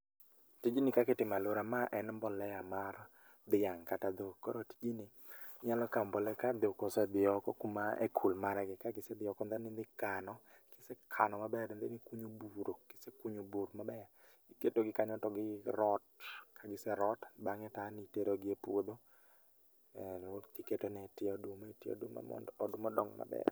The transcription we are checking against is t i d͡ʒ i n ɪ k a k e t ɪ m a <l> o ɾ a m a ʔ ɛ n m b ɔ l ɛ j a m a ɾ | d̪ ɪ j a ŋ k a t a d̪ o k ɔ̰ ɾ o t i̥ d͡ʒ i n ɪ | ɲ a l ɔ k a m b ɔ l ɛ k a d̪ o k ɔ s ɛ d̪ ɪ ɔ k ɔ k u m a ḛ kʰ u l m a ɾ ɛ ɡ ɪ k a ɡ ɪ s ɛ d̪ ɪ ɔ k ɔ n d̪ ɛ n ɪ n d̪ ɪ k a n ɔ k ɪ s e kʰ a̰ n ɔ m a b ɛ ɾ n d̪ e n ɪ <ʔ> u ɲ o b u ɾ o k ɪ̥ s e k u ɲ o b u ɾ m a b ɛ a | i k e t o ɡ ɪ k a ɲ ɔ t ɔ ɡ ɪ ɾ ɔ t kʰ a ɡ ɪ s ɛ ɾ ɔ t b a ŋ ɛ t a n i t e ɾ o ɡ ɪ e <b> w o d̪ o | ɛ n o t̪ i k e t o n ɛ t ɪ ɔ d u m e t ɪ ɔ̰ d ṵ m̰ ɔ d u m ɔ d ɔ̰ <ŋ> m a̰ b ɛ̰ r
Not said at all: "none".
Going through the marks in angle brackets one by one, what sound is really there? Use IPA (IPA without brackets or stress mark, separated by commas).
l, k, p, ŋ